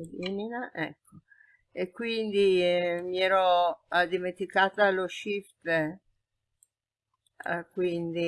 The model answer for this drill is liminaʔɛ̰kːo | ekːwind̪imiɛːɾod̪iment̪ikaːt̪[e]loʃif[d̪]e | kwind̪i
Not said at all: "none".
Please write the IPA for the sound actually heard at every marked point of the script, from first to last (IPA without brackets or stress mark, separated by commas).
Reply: a, t̪